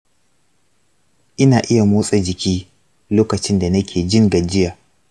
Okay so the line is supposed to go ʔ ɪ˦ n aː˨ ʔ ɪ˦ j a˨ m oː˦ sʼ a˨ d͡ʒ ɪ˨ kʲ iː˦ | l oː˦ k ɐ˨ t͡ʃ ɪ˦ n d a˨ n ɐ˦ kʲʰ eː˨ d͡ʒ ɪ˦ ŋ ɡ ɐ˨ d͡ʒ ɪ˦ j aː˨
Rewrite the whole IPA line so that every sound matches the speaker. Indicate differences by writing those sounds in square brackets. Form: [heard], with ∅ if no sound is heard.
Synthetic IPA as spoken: ʔ ɪ˦ n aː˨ ʔ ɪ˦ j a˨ m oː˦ sʼ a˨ d͡ʒ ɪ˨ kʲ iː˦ | l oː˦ k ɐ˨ t͡ʃ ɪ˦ n d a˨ n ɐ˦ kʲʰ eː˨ d͡ʒ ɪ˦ ŋ ɡ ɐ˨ d͡ʒ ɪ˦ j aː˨